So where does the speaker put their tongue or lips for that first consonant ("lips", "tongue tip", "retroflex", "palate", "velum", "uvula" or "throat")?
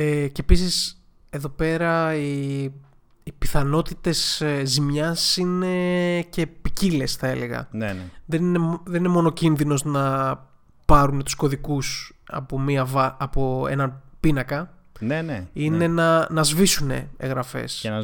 palate